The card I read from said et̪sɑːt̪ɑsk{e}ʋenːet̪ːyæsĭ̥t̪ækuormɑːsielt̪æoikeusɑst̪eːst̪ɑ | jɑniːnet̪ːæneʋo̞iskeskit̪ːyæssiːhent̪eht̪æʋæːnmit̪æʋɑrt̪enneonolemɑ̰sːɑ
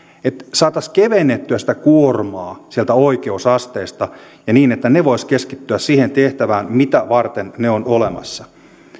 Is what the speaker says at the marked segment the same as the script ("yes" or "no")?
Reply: yes